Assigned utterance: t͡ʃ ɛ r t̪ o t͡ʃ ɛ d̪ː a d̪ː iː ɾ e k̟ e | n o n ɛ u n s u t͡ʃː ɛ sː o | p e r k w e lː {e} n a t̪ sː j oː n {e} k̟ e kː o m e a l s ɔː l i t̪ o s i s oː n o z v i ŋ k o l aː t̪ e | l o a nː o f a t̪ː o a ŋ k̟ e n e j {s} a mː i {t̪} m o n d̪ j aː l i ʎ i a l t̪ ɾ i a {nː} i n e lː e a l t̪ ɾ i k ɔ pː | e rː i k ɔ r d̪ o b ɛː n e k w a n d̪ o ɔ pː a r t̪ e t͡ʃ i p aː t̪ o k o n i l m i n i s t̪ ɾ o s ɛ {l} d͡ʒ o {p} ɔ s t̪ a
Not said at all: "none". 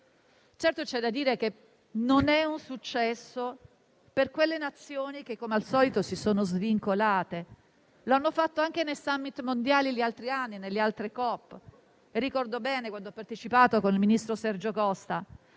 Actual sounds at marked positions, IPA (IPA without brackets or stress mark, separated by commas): e, i, s, t̪, nː, r, k